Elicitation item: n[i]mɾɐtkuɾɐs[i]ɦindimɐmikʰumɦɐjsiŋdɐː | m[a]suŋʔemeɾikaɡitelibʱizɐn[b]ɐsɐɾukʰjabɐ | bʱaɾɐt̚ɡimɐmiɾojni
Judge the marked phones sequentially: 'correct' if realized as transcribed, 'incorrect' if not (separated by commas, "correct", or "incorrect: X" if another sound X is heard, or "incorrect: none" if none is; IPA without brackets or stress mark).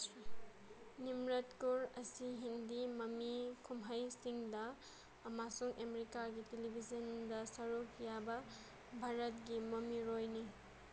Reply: correct, correct, correct, incorrect: d